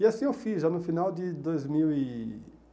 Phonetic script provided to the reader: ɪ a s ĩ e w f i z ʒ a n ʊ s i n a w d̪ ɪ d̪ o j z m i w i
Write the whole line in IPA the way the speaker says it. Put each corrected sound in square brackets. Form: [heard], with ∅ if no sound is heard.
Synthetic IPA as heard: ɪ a s ĩ e w f i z ʒ a n ʊ [f] i n a w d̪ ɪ d̪ o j z m i w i

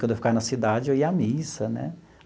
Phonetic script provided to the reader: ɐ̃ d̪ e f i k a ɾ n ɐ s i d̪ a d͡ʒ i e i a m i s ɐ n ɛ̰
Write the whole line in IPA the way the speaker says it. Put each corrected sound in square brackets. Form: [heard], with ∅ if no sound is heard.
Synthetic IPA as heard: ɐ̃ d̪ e f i k a ɾ n ɐ s i d̪ a d͡ʒ [ɪ] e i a m i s ɐ n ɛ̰

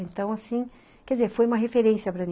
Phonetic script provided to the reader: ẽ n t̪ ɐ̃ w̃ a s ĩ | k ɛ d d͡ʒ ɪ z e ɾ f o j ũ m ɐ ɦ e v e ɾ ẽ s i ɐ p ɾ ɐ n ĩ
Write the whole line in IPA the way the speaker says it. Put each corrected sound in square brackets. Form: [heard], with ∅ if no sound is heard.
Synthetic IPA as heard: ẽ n t̪ ɐ̃ w̃ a s ĩ | k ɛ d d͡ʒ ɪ z e ɾ f o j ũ m ɐ ɦ e [f] e ɾ ẽ s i ɐ p ɾ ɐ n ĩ

